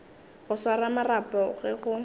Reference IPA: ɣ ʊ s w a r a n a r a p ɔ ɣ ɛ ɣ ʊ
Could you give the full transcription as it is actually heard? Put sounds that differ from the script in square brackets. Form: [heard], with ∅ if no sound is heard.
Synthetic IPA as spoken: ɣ ʊ s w a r a [m] a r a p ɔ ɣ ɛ ɣ ʊ